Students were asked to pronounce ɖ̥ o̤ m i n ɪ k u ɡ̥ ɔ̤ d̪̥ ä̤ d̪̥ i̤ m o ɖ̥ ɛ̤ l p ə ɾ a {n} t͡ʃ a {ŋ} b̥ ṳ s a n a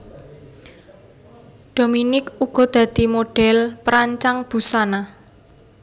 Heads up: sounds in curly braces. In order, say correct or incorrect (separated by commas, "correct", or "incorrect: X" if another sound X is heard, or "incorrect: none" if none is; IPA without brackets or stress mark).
incorrect: ɲ, correct